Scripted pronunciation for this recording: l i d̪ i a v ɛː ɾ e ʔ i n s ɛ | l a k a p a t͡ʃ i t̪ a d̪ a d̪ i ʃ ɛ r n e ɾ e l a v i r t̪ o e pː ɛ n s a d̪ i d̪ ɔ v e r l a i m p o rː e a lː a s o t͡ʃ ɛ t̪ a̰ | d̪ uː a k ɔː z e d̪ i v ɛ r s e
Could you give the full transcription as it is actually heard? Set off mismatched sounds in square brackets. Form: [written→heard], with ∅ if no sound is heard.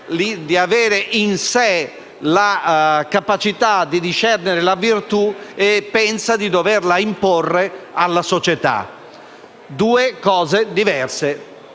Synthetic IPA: l i d̪ i a v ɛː ɾ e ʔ i n s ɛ | l a k a p a t͡ʃ i t̪ a d̪ [a→i] d̪ i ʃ ɛ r n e ɾ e l a v i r t̪ [o→u] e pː ɛ n s a d̪ i d̪ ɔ v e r l a i m p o rː e a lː a s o t͡ʃ ɛ t̪ a̰ | d̪ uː [a→e] k ɔː z e d̪ i v ɛ r s e

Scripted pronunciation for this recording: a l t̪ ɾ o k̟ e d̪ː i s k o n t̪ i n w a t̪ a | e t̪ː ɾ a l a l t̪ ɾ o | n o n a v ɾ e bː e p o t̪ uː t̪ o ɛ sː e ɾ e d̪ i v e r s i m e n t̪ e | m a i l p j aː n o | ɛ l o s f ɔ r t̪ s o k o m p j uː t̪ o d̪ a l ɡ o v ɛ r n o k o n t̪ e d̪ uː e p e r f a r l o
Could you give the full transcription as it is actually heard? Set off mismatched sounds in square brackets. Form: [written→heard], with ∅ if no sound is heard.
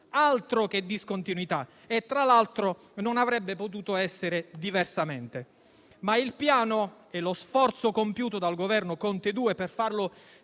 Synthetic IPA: a l t̪ ɾ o k̟ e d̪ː i s k o n t̪ i n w [a→i] t̪ a | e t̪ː ɾ a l a l t̪ ɾ o | n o n a v ɾ [e→ɛ] bː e p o t̪ uː t̪ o ɛ sː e ɾ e d̪ i v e r s [i→a] m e n t̪ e | m a i l p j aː n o | ɛ l o s f ɔ r t̪ s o k o m p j uː t̪ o d̪ a l ɡ o v ɛ r n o k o n t̪ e d̪ uː e p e r f a r l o

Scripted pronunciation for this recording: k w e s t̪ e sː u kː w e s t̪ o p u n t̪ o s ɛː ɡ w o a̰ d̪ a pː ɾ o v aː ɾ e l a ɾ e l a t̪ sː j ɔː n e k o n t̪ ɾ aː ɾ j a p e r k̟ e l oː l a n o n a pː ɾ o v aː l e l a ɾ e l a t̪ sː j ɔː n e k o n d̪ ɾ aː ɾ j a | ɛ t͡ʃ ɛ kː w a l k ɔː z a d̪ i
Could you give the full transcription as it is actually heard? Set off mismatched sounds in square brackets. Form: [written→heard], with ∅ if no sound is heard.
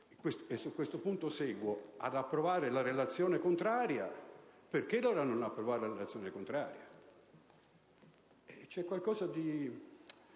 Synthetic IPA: k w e s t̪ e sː u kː w e s t̪ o p u n t̪ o s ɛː ɡ w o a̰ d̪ a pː ɾ o v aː ɾ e l a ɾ e l a t̪ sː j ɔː n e k o n t̪ ɾ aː ɾ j a p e r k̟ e l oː [l→ɾ] a n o n a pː ɾ o v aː [l→ɾ] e l a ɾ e l a t̪ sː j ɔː n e k o n [d̪→t̪] ɾ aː ɾ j a | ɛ t͡ʃ ɛ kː w a l k ɔː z a d̪ i

